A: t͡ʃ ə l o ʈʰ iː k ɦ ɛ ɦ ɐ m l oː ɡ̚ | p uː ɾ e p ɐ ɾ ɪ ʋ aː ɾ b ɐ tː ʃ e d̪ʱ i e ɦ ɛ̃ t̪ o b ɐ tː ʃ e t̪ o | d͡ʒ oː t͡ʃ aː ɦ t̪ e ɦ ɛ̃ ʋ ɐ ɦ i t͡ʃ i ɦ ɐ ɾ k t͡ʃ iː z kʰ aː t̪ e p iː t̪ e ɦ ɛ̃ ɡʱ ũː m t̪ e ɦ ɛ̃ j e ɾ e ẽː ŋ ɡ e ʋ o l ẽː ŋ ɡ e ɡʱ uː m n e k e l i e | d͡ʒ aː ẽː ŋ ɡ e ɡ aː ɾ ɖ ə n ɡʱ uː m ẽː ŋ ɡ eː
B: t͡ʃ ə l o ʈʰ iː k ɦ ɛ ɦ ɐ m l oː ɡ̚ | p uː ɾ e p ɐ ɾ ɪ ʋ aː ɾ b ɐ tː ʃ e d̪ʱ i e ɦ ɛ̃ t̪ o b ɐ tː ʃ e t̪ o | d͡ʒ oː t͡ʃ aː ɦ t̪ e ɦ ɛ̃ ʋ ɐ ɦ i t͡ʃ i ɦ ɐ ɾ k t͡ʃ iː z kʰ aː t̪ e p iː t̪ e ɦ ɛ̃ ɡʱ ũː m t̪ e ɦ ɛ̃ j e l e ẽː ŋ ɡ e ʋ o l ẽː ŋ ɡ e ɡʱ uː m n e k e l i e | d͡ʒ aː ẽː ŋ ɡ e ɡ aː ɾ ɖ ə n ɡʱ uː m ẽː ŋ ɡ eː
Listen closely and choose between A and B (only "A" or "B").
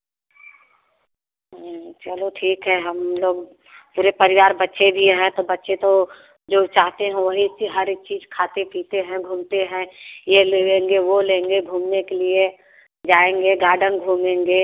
B